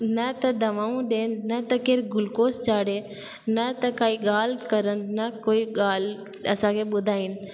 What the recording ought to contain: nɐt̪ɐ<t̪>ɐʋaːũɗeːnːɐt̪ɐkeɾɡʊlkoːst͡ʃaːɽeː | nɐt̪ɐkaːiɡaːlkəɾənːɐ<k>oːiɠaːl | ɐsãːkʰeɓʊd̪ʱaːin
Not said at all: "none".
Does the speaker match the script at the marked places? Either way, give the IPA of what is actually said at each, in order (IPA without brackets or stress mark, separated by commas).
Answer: d̪, k